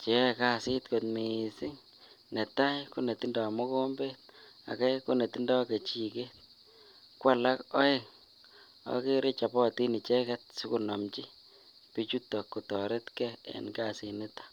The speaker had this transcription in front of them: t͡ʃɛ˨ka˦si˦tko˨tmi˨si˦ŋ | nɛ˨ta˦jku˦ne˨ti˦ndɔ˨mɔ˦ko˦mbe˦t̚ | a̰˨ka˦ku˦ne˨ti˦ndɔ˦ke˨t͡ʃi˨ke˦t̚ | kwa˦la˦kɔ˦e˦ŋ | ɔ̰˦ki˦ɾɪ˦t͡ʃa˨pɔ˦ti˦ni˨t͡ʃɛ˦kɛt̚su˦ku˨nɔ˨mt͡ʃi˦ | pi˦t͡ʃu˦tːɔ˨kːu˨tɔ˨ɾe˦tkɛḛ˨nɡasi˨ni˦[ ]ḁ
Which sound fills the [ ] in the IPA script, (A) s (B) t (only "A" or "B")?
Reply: B